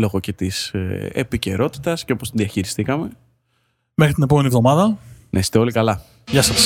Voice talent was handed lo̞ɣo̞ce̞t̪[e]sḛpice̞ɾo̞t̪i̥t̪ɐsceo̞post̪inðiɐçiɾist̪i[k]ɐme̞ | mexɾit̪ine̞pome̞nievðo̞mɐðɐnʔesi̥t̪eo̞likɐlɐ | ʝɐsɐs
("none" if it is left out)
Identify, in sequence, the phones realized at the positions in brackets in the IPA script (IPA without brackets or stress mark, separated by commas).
i, k